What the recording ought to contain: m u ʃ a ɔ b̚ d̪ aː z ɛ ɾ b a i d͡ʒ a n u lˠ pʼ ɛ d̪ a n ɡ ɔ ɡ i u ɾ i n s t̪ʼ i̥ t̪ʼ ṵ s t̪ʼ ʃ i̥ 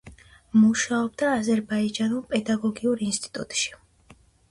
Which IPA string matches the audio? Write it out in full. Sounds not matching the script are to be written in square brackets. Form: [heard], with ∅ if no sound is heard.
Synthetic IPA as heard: m u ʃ a ɔ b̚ d̪ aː z ɛ ɾ b a i d͡ʒ a n u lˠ pʼ ɛ d̪ a [∅] ɡ ɔ ɡ i u ɾ i n s t̪ʼ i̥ t̪ʼ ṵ [∅] t̪ʼ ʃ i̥